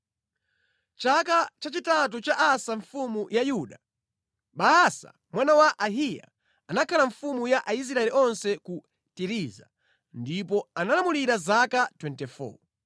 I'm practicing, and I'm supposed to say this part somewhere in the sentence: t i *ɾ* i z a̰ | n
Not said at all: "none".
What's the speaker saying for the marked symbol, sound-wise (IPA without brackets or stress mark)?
ɾ